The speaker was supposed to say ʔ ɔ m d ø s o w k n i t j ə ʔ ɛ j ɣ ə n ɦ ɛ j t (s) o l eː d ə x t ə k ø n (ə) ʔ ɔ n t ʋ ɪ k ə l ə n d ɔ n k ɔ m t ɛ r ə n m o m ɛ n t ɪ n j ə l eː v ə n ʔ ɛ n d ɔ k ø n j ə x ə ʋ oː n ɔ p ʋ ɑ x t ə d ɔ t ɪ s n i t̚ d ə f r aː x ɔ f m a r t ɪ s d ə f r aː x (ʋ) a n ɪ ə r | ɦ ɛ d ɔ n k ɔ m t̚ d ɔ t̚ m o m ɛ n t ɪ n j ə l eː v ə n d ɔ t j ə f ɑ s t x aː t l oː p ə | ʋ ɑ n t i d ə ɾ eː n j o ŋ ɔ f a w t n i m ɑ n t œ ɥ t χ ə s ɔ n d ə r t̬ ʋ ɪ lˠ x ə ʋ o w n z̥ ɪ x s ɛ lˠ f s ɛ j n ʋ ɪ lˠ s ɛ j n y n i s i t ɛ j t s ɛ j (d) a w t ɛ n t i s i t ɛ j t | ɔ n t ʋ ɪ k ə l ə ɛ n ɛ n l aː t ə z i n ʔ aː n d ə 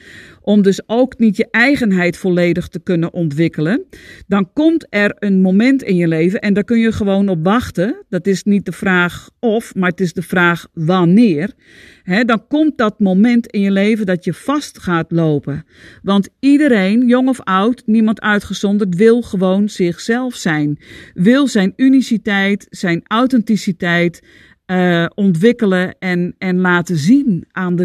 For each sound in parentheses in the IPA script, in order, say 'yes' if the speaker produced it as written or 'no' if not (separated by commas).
no, yes, yes, no